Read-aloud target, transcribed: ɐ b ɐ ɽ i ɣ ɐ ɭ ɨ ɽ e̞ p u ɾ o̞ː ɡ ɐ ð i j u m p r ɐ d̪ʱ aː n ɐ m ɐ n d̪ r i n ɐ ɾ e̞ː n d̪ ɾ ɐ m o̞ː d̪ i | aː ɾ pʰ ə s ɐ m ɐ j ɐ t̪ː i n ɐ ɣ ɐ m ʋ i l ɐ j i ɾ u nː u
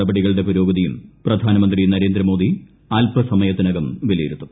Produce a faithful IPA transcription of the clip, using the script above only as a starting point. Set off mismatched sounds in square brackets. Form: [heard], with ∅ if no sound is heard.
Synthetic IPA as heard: ɐ b ɐ ɽ i ɣ ɐ ɭ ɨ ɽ e̞ p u ɾ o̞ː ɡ ɐ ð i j u m p r ɐ d̪ʱ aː n ɐ m ɐ n d̪ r i n ɐ ɾ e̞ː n d̪ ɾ ɐ m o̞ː d̪ i | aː [l] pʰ [ɐ] s ɐ m ɐ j ɐ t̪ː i n ɐ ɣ ɐ m ʋ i l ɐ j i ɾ u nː u